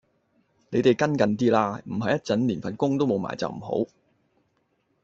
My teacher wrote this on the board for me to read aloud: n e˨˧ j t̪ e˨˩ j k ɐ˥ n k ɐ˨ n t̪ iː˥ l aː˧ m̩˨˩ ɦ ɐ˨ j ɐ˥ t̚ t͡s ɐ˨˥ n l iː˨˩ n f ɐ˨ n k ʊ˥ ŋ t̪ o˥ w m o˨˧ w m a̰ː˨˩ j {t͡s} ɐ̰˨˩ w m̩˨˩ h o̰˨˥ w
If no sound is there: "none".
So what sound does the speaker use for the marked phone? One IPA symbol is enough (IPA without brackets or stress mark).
t͡s